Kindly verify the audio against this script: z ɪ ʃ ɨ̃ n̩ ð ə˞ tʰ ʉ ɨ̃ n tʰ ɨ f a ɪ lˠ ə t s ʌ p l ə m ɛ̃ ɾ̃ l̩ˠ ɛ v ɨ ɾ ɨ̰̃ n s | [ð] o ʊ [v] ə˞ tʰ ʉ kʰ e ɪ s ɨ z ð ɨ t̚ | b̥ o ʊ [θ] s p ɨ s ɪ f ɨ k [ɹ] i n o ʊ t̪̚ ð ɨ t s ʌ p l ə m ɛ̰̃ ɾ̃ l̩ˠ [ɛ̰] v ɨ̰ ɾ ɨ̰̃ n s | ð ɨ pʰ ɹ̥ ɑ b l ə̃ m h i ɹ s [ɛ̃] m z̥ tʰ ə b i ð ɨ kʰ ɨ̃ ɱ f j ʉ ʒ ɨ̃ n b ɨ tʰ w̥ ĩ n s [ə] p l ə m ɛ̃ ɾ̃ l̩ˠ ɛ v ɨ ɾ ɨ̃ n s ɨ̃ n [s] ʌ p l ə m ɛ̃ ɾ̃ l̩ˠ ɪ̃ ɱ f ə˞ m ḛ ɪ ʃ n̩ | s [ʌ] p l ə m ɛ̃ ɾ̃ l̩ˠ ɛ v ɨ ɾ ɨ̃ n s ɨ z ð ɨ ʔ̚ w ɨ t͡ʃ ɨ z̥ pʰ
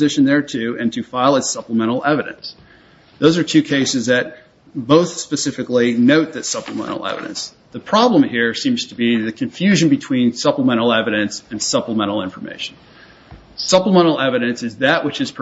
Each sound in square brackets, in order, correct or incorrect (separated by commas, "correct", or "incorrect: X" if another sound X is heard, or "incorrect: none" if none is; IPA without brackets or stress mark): correct, incorrect: z, correct, incorrect: l, correct, incorrect: ĩ, incorrect: ʌ, correct, correct